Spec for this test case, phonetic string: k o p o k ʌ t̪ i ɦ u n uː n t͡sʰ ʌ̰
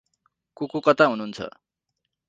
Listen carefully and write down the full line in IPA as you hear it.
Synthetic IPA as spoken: k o k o k ʌ t̪ a ɦ u n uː n t͡sʰ ʌ̰